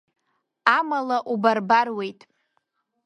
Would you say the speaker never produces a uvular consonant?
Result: yes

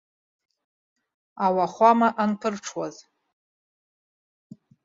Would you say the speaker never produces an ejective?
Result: yes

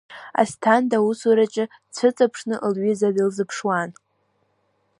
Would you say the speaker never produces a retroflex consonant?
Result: no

